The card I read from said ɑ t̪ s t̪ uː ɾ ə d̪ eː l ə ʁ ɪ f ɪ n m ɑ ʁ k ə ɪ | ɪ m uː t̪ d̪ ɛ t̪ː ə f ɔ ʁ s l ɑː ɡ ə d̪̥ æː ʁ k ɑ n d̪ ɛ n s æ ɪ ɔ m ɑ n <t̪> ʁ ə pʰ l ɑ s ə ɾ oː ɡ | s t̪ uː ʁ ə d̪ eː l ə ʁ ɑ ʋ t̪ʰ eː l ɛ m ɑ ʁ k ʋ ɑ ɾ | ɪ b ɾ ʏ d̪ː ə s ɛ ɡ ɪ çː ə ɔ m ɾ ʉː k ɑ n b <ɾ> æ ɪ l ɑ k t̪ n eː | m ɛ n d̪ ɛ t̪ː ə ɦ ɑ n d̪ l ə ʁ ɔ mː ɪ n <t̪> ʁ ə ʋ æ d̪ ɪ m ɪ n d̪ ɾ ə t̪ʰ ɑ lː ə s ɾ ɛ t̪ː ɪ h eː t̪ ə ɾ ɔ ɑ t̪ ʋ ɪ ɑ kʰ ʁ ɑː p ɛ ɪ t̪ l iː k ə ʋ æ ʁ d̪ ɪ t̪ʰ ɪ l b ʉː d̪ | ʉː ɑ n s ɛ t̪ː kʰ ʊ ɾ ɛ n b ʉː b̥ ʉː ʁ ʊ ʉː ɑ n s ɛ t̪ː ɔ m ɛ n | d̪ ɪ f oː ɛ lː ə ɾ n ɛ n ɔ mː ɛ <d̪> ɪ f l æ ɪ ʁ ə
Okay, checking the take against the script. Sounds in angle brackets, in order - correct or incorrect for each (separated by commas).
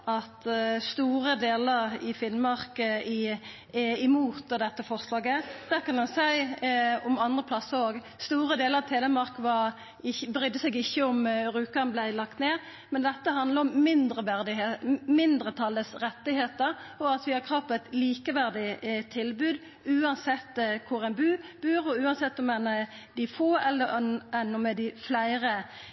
incorrect, incorrect, incorrect, correct